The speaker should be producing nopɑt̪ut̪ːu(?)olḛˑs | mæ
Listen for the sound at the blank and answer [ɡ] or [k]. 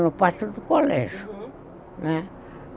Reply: k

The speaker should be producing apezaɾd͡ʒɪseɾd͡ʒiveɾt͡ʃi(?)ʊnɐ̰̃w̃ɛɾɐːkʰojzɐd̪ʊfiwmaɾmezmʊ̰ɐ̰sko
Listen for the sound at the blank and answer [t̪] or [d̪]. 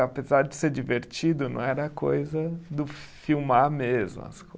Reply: d̪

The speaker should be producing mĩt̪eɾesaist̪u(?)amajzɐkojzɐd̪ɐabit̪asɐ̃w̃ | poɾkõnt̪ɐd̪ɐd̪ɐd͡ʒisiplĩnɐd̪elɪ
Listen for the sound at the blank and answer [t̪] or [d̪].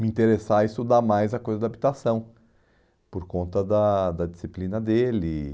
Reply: d̪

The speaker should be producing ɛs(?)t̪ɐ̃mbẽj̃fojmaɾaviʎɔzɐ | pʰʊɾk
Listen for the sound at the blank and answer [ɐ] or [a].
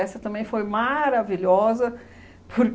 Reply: ɐ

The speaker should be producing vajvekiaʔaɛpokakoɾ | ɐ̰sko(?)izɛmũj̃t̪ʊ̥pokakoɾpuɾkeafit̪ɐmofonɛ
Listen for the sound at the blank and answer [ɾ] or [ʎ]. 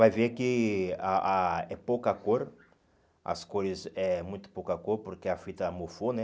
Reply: ɾ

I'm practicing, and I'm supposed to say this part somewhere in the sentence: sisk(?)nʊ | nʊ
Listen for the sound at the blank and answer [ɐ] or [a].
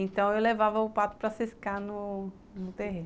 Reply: a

